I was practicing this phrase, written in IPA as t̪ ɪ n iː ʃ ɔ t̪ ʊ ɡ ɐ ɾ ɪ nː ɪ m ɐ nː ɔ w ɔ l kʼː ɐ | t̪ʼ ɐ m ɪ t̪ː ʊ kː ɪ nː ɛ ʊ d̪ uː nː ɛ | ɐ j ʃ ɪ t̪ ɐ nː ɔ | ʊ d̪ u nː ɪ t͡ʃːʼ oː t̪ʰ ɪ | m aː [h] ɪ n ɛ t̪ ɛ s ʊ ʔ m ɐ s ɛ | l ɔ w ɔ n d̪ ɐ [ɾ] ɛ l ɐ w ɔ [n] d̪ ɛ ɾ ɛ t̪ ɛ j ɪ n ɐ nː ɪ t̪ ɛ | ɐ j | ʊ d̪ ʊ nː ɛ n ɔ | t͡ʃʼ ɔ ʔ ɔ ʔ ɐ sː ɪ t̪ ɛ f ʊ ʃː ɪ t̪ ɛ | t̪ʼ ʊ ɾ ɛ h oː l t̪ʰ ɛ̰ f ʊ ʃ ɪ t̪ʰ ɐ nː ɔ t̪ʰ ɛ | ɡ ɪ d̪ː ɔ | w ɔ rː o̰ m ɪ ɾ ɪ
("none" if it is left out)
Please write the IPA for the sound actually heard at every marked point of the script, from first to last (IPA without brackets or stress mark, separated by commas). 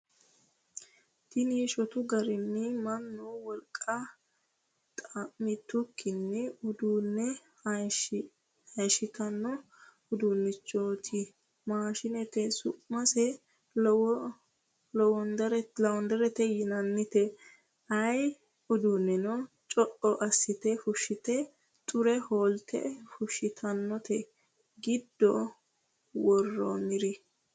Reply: ʃ, ɾ, n